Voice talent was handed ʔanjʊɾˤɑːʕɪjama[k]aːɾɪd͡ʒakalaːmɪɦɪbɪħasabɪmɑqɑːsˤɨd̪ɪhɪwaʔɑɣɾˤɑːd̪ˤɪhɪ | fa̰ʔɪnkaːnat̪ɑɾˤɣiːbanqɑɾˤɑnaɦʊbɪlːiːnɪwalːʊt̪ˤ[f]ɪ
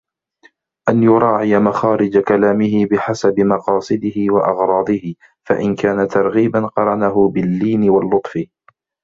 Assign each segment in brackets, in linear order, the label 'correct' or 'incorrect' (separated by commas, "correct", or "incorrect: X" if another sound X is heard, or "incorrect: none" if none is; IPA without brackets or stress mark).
incorrect: x, correct